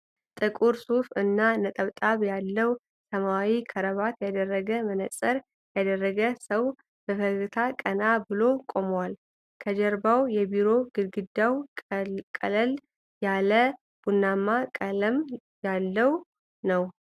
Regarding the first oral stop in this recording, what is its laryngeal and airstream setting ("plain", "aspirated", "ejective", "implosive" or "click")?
ejective